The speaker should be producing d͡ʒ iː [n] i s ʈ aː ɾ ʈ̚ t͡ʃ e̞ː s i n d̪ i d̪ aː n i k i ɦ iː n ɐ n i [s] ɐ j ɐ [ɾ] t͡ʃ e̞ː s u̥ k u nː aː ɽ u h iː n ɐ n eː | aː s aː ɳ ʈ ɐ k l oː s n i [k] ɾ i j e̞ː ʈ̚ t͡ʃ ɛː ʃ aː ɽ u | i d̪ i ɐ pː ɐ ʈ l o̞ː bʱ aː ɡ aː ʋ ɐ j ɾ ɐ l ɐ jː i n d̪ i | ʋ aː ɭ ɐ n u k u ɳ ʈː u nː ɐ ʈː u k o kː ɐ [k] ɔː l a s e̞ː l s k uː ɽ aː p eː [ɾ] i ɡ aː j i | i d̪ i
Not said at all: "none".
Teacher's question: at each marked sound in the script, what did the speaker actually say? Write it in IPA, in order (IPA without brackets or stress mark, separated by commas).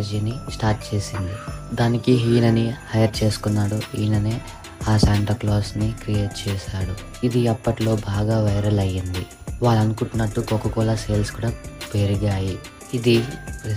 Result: n, h, ɾ, k, k, ɾ